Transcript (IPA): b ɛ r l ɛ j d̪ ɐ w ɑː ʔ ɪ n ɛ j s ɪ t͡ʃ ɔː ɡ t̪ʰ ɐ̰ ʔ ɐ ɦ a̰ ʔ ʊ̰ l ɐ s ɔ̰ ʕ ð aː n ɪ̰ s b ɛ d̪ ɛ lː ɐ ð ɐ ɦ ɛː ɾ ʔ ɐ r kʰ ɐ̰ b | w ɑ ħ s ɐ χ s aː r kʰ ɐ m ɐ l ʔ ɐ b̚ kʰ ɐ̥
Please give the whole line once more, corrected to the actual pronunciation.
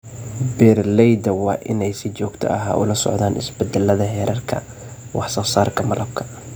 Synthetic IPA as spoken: b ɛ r l ɛ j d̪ ɐ w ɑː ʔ ɪ n ɛ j s ɪ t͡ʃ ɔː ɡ t̪ʰ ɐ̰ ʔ ɐ ɦ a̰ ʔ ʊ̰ l ɐ s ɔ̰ ʕ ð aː n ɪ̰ s b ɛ d̪ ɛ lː ɐ ð ɐ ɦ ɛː ɾ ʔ ɐ r kʰ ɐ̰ | w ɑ ħ s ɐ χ s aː r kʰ ɐ m ɐ l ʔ ɐ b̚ kʰ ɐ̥